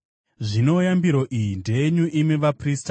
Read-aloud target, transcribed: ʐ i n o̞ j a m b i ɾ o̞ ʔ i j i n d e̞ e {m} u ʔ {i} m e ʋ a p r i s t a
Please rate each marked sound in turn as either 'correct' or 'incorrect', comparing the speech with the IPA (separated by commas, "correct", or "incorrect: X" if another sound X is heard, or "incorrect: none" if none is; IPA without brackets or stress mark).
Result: incorrect: ɲ, correct